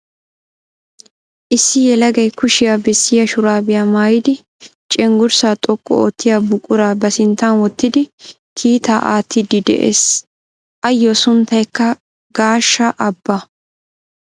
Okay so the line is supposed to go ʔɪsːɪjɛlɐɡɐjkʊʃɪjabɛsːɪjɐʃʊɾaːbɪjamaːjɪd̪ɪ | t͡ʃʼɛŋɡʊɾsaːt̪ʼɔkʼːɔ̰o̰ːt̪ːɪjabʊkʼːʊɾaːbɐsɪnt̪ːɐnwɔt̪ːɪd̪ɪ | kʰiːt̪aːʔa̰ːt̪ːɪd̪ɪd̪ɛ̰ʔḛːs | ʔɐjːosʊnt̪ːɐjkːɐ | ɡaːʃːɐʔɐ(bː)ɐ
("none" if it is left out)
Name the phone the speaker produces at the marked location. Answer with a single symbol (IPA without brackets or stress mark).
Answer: bː